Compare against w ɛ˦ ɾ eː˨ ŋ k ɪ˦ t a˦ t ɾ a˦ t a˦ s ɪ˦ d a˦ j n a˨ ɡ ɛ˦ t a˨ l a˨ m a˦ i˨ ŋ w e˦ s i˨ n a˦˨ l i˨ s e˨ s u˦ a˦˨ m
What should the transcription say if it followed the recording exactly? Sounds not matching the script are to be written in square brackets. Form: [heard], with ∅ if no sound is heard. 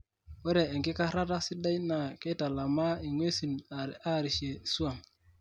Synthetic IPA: w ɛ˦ ɾ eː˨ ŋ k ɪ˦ [k] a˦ [∅] ɾ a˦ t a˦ s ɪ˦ d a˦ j n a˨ [k] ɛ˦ t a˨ l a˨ m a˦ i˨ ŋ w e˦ s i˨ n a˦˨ [ɾ] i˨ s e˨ s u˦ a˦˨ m